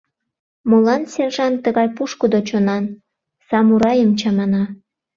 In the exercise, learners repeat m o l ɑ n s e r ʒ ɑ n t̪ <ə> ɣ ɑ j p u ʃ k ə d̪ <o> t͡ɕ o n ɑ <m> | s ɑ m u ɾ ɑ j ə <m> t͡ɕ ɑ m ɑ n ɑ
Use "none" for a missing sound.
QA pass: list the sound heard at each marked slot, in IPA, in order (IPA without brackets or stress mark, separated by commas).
ə, o, n, m